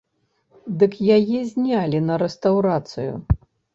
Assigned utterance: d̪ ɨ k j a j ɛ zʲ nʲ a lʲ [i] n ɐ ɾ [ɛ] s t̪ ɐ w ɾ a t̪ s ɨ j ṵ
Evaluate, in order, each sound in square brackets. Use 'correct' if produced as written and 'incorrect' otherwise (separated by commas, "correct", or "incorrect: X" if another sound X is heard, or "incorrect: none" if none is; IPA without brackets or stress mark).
correct, correct